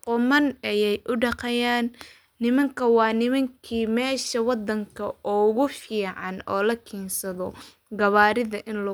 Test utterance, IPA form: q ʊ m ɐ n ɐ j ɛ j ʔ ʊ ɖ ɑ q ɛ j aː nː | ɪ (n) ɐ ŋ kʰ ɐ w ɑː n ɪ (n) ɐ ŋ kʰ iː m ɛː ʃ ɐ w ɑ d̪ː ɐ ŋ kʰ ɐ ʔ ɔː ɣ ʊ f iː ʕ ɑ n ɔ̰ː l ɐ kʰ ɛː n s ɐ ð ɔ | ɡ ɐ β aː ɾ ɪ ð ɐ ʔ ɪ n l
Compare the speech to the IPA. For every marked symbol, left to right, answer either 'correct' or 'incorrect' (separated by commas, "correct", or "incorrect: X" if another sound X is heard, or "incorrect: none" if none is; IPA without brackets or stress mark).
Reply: incorrect: m, incorrect: m